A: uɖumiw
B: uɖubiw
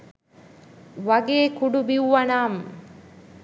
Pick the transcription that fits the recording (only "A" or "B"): B